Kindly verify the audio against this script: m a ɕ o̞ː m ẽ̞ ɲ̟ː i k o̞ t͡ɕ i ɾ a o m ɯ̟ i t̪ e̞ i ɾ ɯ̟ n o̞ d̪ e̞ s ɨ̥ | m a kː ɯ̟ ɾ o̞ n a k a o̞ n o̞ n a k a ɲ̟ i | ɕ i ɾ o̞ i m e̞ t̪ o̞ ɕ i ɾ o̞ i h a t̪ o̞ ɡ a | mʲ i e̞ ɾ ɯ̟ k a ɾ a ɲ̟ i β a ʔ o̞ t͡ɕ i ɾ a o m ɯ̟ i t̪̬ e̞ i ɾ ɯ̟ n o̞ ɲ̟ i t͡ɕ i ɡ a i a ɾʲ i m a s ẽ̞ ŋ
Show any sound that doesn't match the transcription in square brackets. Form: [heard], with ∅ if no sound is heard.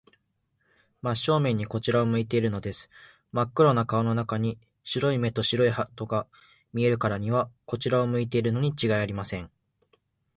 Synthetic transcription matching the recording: m a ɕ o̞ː m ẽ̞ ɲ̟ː i k o̞ t͡ɕ i ɾ a o m ɯ̟ i t̪ e̞ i ɾ ɯ̟ n o̞ d̪ e̞ s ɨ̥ | m a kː ɯ̟ ɾ o̞ n a k a o̞ n o̞ n a k a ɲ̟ i | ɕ i ɾ o̞ i m e̞ t̪ o̞ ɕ i ɾ o̞ i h a t̪ o̞ ɡ a | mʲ i e̞ ɾ ɯ̟ k a ɾ a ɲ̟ i β a [k] o̞ t͡ɕ i ɾ a o m ɯ̟ i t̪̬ e̞ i ɾ ɯ̟ n o̞ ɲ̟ i t͡ɕ i ɡ a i a ɾʲ i m a s ẽ̞ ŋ

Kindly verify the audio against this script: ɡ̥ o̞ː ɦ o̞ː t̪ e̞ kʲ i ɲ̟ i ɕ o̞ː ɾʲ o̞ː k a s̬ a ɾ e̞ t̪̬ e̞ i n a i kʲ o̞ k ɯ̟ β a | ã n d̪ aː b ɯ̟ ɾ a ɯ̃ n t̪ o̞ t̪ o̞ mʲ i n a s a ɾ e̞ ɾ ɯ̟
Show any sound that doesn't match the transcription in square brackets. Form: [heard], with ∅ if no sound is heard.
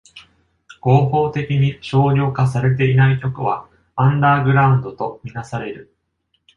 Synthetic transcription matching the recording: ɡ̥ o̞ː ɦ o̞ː t̪ e̞ kʲ i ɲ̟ i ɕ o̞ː ɾʲ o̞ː k a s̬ a ɾ e̞ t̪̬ e̞ i n a i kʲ o̞ k ɯ̟ β a | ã n d̪ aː [ɡ] ɯ̟ ɾ a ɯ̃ n [d̪] o̞ t̪ o̞ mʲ i n a s a ɾ e̞ ɾ ɯ̟

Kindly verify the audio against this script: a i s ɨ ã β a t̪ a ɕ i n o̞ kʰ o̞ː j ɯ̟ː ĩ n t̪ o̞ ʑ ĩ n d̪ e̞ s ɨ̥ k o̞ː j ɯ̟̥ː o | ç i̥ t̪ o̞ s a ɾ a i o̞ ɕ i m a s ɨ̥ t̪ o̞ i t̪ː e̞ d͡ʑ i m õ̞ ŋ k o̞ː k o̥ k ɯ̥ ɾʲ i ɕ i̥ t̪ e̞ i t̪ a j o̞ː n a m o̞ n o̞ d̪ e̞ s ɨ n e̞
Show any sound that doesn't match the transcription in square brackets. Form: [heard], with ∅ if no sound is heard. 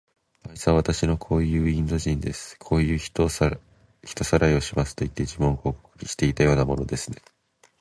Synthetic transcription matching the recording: a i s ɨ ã β a t̪ a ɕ i n o̞ kʰ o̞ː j ɯ̟ː ĩ n [d̪] o̞ ʑ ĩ n d̪ e̞ s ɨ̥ [kʰ] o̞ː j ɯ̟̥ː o | ç i̥ t̪ o̞ s a ɾ a i o̞ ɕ i m a s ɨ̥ t̪ o̞ i t̪ː e̞ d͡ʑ i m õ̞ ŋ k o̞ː k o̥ k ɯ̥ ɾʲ i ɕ i̥ t̪ e̞ i t̪ a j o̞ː n a m o̞ n o̞ d̪ e̞ s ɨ n e̞

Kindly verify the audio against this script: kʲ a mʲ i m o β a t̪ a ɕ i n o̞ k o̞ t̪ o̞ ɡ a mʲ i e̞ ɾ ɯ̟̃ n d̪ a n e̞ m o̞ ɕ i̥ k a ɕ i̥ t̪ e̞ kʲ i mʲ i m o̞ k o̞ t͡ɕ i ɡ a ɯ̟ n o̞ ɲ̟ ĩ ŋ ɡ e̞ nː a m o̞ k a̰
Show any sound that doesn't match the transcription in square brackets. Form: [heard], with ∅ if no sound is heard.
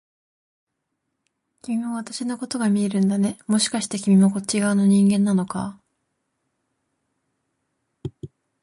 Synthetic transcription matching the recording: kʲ [i] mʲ i m o β a t̪ a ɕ i n o̞ k o̞ t̪ o̞ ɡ a mʲ i e̞ ɾ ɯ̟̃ n d̪ a n e̞ m o̞ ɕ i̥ k a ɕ i̥ t̪ e̞ kʲ i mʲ i m o̞ k o̞ t͡ɕ i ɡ a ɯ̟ n o̞ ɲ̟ ĩ ŋ ɡ [ẽ̞] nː a [n] o̞ k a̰

